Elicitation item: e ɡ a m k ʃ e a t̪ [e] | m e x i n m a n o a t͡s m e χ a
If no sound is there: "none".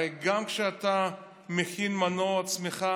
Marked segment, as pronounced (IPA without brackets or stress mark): a